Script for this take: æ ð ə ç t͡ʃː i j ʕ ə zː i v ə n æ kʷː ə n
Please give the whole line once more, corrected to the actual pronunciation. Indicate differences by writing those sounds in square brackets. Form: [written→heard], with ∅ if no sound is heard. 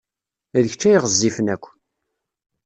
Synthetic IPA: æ ð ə ç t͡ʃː [i→æ] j [ʕ→ʁ] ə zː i [v→f] ə n æ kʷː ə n